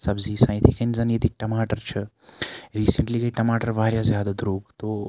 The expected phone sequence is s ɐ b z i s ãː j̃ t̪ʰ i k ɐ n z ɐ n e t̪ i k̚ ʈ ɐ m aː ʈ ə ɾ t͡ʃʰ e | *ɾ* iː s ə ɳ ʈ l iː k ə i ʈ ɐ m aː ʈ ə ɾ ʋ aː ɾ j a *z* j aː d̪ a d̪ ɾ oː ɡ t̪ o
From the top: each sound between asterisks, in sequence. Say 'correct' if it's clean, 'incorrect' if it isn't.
correct, correct

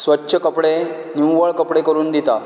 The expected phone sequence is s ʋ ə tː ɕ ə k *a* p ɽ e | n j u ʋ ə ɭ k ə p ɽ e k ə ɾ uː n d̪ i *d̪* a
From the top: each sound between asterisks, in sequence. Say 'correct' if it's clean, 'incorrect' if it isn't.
incorrect, incorrect

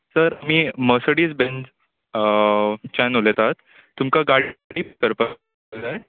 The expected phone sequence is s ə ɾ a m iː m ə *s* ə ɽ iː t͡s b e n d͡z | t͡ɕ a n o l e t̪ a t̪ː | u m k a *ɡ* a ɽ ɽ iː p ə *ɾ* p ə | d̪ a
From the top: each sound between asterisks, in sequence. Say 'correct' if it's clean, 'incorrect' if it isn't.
correct, correct, correct

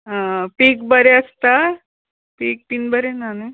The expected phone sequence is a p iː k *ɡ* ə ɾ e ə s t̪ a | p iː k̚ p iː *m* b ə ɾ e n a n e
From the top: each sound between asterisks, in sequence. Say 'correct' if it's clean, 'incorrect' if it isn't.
incorrect, incorrect

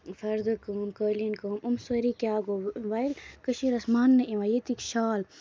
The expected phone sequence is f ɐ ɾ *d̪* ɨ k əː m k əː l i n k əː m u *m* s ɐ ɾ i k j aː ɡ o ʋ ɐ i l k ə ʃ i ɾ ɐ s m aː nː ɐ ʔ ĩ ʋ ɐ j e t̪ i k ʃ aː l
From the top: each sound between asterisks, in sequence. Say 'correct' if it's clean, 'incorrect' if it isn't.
correct, correct

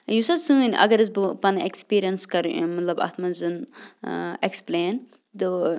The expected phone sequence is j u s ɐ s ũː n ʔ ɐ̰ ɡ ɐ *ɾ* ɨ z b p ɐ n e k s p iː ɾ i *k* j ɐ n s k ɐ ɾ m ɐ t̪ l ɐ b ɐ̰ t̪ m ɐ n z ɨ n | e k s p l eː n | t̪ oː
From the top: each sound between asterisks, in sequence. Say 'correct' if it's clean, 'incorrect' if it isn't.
correct, incorrect

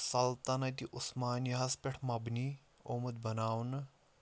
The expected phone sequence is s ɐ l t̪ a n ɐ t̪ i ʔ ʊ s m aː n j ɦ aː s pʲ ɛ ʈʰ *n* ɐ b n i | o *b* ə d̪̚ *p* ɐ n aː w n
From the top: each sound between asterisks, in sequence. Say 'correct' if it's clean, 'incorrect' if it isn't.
incorrect, incorrect, incorrect

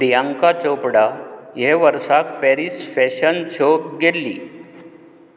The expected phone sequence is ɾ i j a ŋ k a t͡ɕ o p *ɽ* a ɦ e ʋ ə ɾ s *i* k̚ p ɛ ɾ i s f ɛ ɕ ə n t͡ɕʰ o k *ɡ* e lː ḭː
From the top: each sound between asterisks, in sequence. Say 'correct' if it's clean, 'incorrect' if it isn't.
correct, incorrect, correct

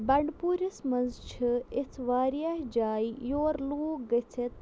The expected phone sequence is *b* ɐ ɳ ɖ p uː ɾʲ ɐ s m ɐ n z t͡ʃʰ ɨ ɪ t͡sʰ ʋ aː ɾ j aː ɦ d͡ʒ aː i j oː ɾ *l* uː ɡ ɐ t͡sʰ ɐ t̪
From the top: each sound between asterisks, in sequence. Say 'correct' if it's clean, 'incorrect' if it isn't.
correct, correct

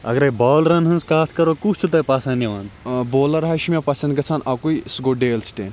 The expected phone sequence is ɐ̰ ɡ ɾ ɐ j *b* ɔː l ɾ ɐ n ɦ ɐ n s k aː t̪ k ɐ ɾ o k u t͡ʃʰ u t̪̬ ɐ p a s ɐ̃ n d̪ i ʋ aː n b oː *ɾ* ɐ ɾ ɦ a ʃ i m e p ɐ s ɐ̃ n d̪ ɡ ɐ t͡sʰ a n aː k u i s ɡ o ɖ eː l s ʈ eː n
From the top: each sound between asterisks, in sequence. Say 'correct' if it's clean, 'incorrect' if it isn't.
correct, incorrect

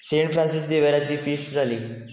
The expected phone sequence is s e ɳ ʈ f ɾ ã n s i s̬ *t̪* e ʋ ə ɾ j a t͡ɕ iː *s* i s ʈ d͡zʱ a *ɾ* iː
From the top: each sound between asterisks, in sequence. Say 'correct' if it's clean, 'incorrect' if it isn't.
incorrect, incorrect, incorrect

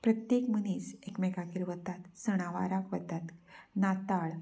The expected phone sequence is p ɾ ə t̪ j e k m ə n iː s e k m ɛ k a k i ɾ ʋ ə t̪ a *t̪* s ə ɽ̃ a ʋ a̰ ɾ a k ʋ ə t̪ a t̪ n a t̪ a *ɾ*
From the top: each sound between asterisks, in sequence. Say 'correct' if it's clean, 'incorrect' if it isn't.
correct, incorrect

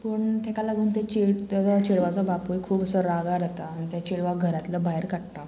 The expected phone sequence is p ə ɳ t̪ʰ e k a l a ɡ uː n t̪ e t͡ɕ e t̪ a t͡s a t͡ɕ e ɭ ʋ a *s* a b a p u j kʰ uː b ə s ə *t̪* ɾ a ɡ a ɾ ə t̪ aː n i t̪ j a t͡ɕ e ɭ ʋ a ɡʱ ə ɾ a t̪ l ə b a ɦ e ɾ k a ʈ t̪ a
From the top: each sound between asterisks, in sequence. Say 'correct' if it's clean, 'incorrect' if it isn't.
incorrect, incorrect

